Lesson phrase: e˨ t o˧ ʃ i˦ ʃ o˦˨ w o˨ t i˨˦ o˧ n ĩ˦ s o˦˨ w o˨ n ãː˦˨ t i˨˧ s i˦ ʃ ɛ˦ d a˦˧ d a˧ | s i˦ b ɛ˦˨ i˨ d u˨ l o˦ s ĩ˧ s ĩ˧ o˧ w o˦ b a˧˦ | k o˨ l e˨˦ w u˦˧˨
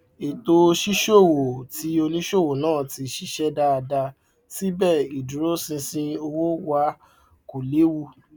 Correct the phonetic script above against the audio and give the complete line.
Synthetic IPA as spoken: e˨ t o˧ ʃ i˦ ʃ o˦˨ w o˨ t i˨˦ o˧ n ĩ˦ ʃ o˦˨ w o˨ n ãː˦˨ t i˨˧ ʃ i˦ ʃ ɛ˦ d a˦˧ d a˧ | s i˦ b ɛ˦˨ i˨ d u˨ ɾ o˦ s ĩ˧ s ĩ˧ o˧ w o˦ w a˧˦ | k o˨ l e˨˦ w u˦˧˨

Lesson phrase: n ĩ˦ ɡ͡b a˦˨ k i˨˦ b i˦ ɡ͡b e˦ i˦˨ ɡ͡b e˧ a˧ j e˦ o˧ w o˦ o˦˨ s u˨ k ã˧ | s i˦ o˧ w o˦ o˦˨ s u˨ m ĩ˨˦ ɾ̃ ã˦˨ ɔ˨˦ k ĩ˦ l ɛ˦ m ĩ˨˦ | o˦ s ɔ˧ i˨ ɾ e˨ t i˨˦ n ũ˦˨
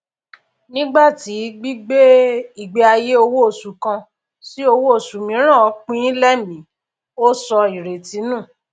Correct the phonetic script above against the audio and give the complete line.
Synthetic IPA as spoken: n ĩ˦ ɡ͡b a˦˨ t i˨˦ ɡ͡b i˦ ɡ͡b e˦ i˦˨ ɡ͡b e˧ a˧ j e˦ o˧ w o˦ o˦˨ s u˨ k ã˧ | s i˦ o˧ w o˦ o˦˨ s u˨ m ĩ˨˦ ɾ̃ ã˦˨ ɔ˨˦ k͡p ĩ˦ l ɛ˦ m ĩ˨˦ | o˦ s ɔ˧ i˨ ɾ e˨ t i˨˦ n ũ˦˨

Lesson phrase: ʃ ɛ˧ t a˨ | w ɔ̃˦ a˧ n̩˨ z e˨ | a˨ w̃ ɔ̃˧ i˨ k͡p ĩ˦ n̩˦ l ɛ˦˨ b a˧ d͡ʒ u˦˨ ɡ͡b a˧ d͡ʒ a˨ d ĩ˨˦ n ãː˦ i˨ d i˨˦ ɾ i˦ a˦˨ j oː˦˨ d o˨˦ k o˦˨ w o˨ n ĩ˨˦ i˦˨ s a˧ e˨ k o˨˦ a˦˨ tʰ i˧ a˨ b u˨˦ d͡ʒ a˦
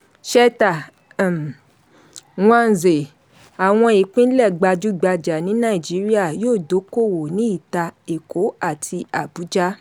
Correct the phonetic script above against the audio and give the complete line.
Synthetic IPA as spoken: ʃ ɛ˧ t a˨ | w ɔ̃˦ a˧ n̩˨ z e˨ | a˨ w̃ ɔ̃˧ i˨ k͡p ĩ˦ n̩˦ l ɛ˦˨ ɡ͡b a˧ d͡ʒ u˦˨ ɡ͡b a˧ d͡ʒ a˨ n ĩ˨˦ n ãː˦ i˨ d͡ʒ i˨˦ ɾ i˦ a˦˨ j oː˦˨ d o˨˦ k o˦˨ w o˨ n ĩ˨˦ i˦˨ t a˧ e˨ k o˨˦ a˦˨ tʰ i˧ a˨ b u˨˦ d͡ʒ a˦

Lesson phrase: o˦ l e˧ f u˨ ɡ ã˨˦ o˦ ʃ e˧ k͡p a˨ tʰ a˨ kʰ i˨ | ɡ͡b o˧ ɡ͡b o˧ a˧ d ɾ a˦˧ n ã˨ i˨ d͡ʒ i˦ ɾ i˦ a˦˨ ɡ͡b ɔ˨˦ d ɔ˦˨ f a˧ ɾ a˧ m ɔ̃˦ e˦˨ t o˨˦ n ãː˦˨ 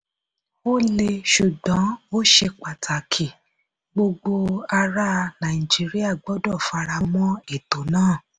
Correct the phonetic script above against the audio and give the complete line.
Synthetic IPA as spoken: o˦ l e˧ ʃ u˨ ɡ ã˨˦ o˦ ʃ e˧ k͡p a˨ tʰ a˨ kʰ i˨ | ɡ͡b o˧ ɡ͡b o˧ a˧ ɾ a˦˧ n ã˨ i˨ d͡ʒ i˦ ɾ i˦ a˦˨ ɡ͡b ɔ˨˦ d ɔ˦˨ f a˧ ɾ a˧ m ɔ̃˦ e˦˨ t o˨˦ n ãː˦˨

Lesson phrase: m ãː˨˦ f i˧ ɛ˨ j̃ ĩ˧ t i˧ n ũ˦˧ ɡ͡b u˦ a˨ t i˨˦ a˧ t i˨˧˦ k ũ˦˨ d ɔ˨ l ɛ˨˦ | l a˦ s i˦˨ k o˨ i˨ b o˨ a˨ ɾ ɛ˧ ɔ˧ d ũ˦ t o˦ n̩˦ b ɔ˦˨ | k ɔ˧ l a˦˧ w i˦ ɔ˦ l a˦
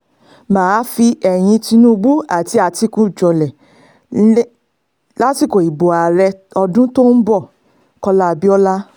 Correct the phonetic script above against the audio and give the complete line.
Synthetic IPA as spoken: m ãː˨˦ f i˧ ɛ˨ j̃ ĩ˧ t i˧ n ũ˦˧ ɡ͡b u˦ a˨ t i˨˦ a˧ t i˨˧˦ k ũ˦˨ d͡ʒ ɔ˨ l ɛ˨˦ | l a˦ t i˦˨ k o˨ i˨ b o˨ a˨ ɾ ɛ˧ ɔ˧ d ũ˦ t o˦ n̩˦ b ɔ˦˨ | k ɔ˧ l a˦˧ b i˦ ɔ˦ l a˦

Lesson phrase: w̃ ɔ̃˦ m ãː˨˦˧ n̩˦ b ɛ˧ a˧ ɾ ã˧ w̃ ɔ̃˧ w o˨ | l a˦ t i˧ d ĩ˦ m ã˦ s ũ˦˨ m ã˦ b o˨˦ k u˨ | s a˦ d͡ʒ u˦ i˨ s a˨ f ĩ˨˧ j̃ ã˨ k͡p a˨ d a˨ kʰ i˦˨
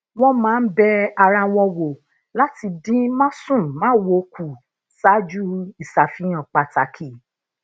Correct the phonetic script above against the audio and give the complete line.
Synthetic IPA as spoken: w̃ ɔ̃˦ m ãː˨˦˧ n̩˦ b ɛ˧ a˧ ɾ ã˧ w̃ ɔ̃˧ w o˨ | l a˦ t i˧ d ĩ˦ m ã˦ s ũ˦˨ m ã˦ w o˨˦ k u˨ | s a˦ d͡ʒ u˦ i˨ s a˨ f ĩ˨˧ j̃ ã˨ k͡p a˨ t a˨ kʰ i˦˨

